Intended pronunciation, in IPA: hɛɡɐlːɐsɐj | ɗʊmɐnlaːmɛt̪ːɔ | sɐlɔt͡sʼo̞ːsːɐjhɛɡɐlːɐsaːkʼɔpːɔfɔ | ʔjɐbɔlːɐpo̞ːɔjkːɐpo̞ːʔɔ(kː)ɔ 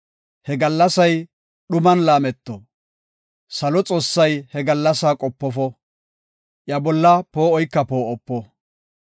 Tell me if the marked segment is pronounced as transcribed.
no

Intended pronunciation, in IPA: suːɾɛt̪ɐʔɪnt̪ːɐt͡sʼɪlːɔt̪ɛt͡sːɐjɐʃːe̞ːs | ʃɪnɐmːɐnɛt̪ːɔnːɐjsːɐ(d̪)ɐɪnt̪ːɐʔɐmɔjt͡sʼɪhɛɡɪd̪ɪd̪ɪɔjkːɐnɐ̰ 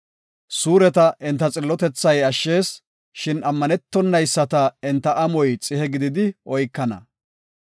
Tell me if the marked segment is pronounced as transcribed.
no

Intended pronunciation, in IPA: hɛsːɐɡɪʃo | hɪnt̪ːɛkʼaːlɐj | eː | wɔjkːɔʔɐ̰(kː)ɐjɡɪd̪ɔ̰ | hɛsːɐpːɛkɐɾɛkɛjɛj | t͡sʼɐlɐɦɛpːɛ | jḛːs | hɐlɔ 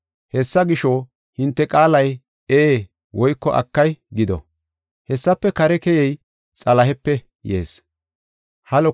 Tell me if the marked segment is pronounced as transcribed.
yes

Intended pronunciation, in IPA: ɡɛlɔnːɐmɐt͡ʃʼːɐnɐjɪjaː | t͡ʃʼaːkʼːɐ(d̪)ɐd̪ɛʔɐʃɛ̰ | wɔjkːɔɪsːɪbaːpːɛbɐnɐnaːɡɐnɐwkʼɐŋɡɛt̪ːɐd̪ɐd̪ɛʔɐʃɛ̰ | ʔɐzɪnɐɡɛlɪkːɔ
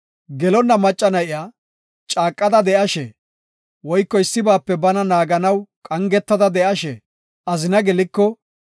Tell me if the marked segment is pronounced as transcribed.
yes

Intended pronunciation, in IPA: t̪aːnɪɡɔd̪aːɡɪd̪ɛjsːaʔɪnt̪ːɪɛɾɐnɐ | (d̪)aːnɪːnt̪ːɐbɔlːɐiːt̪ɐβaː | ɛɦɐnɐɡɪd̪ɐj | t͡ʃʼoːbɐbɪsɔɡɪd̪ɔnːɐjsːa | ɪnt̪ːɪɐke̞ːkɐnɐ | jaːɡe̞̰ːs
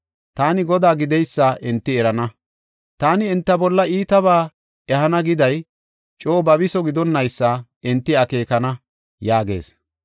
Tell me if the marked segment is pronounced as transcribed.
no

